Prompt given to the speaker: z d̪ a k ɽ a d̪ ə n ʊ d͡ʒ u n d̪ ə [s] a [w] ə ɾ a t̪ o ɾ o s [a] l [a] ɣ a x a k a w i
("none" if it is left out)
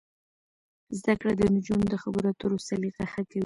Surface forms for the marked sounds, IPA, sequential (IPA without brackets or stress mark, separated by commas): x, b, a, i